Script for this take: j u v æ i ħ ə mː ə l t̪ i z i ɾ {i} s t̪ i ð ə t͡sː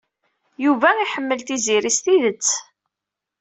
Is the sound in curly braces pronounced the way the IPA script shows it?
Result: yes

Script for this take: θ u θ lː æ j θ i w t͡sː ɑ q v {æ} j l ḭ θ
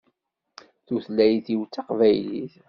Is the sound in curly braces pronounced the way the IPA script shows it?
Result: yes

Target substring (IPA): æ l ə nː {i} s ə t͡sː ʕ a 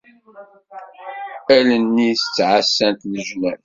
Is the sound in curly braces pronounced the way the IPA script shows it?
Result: yes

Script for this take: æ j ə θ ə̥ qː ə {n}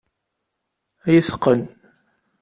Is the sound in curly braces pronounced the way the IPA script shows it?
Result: yes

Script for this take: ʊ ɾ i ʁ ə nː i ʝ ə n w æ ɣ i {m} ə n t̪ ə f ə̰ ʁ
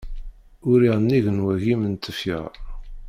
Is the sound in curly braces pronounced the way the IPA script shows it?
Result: yes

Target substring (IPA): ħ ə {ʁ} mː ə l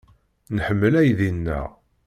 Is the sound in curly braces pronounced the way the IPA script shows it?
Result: no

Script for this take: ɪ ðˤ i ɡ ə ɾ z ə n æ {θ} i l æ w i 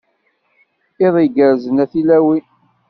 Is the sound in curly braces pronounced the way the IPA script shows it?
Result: yes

